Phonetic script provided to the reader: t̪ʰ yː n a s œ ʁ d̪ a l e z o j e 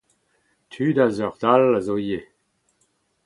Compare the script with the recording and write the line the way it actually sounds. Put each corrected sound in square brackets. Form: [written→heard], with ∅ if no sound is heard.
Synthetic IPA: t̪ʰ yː [n→d] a [s→z] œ ʁ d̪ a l [e→a] z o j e

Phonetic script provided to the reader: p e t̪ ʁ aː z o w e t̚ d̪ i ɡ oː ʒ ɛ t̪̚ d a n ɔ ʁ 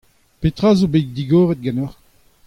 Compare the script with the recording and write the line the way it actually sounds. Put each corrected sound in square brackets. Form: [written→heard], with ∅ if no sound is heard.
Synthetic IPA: p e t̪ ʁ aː z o [w→b] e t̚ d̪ i ɡ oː [ʒ→ʁ] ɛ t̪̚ [d→ɡ] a n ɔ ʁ

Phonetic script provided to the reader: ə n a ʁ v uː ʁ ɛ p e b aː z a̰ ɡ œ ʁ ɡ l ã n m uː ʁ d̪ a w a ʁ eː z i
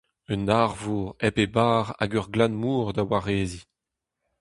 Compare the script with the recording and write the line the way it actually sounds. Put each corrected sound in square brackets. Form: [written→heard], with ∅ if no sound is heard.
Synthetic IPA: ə n a ʁ v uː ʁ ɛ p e b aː [z→ʁ] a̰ ɡ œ ʁ ɡ l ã n m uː ʁ d̪ a w a ʁ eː z i

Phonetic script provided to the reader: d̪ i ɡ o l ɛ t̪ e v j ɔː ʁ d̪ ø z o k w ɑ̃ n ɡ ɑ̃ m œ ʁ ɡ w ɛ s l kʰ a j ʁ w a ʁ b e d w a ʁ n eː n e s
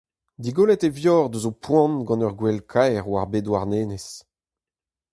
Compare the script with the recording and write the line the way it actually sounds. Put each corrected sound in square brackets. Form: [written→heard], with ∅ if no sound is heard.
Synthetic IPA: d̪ i ɡ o l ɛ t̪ e v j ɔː ʁ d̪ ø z o [k→p] w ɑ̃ n ɡ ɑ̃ [m→n] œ ʁ ɡ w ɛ [s→∅] l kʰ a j ʁ w a ʁ b e d w a ʁ n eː n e s

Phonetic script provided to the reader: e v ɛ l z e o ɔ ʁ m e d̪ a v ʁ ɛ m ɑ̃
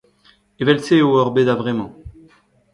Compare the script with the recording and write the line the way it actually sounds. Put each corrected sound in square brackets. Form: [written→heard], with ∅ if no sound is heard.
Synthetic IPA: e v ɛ l [z→s] e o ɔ ʁ [m→b] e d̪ a v ʁ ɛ m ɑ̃

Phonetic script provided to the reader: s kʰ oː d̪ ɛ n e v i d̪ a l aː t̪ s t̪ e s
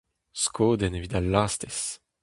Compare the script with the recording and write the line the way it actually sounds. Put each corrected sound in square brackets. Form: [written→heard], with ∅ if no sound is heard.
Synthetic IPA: s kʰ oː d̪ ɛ n e v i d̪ a l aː [t̪→∅] s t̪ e s

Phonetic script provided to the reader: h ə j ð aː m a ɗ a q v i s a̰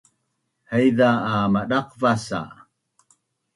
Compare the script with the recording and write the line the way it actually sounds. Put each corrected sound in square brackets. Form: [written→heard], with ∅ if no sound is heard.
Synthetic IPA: h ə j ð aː m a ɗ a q v [i→a] s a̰

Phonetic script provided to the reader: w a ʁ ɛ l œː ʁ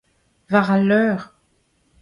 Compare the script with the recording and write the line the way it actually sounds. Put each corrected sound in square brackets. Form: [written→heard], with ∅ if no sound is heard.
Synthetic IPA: [w→v] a ʁ [ɛ→a] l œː ʁ

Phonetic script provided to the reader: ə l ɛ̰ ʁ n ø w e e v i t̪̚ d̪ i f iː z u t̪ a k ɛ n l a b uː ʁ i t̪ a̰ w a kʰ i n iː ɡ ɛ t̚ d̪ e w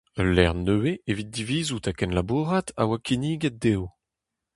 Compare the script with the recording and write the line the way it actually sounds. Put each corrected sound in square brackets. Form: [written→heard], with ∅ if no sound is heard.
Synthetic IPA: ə l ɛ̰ ʁ n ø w e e v i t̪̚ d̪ i [f→v] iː z u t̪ a k ɛ n l a b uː ʁ [i→a] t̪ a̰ w a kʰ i n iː ɡ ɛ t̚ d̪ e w

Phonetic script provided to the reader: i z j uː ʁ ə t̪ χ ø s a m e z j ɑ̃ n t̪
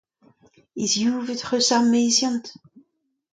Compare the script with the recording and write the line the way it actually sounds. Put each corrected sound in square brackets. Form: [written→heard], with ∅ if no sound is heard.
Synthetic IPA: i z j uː [ʁ→v] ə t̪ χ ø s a m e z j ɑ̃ n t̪

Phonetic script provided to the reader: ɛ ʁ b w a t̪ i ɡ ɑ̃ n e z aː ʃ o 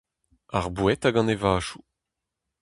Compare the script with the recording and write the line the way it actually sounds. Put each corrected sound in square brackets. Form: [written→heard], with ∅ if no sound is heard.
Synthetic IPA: [ɛ→a] ʁ b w [a→ɛ] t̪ [i→a] ɡ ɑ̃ n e [z→v] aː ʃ [o→u]

